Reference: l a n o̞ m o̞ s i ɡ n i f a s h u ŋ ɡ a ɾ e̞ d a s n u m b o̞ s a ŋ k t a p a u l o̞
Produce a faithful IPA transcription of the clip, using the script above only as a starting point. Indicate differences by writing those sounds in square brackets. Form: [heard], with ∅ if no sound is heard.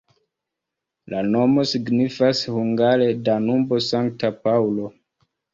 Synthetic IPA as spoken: l a n o̞ m o̞ s i ɡ n i f a s h u ŋ ɡ a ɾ e̞ d a [∅] n u m b o̞ s a ŋ k t a p a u l o̞